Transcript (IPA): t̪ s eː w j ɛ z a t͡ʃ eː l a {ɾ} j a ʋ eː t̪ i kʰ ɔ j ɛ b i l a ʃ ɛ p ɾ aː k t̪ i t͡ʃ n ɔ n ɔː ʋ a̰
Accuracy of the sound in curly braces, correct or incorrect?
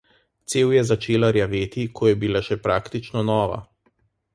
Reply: correct